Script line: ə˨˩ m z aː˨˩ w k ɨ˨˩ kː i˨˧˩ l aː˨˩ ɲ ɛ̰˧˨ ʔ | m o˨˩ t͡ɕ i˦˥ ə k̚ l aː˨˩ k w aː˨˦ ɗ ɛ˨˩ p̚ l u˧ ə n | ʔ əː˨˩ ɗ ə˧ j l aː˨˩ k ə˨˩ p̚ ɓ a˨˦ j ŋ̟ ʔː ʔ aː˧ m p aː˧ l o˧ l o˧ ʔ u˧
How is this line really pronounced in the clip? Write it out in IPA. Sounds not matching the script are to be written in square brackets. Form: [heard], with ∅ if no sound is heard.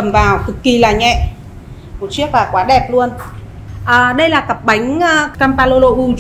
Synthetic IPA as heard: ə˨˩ m [v] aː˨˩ w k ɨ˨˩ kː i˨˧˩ l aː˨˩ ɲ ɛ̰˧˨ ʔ | m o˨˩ t͡ɕ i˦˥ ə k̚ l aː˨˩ k w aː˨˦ ɗ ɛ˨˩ p̚ l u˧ ə n | ʔ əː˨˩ ɗ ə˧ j l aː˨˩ k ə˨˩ p̚ ɓ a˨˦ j ŋ̟ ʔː [k] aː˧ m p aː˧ l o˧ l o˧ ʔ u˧